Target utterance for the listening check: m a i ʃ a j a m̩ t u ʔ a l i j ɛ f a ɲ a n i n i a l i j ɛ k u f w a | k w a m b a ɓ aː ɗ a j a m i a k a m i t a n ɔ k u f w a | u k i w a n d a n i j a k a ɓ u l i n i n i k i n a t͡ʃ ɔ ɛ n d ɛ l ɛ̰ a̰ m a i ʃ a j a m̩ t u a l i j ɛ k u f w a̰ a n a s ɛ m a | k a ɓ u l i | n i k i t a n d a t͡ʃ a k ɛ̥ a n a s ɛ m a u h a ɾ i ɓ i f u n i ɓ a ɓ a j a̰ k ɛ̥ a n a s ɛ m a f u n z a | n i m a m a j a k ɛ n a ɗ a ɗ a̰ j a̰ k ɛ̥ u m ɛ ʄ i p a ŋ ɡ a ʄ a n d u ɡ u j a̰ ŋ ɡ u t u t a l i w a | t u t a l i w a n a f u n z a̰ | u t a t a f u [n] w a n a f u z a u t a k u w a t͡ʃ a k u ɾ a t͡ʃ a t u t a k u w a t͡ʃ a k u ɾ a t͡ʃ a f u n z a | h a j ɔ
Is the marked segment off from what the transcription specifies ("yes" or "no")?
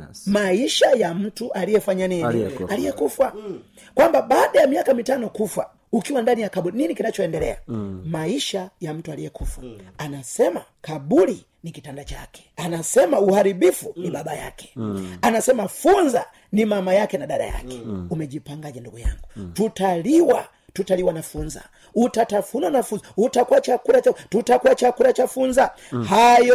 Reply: no